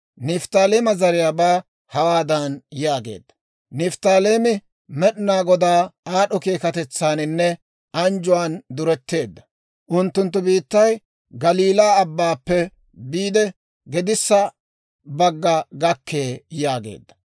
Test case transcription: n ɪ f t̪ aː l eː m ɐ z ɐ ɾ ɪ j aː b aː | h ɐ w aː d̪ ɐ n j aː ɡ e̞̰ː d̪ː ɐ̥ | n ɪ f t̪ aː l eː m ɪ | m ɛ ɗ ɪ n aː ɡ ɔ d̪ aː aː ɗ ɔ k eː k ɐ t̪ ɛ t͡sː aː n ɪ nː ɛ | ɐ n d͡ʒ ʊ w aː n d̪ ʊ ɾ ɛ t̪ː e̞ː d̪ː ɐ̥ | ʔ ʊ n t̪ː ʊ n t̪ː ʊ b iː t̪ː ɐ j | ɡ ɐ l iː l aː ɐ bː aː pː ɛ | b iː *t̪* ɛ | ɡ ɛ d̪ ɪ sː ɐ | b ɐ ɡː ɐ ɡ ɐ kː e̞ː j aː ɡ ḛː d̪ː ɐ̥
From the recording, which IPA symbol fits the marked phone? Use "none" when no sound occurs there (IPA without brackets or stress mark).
d̪